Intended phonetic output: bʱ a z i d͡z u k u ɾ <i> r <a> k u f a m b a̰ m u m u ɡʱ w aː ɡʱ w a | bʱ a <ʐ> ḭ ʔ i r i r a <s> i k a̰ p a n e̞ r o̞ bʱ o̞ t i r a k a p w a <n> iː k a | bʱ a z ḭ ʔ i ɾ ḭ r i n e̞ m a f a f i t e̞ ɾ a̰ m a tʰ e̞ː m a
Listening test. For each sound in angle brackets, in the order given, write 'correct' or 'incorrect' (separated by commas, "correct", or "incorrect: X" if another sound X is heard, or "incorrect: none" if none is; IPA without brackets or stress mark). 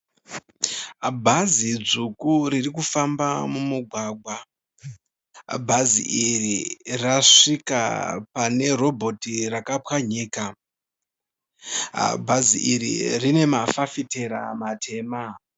correct, incorrect: i, incorrect: z, incorrect: ʂ, incorrect: ɲ